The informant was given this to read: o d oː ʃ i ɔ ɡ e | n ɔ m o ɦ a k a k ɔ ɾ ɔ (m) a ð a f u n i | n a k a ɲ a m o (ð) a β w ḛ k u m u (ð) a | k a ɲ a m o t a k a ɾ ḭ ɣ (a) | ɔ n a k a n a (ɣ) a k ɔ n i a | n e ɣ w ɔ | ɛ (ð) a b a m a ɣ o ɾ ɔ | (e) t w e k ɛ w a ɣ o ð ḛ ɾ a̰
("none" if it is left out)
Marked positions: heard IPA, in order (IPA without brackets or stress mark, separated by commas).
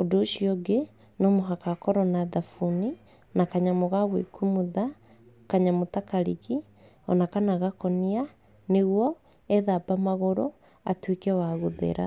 n, ɣ, ð, i, ɣ, ð, a